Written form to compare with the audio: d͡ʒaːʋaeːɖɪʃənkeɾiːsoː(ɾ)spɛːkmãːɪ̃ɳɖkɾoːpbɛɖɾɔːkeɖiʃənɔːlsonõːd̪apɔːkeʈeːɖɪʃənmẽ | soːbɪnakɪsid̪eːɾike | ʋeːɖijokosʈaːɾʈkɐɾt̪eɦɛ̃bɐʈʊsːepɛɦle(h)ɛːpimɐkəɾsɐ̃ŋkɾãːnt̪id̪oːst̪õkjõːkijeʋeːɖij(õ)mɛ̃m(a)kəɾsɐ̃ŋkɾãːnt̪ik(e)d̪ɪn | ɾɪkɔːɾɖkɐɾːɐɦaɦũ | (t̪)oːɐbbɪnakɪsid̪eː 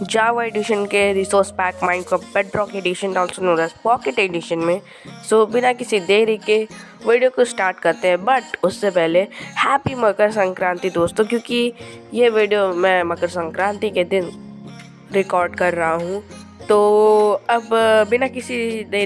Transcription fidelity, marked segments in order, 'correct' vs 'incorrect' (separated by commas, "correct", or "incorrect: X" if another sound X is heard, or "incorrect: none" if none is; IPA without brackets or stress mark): correct, correct, incorrect: o, incorrect: ɐ, correct, correct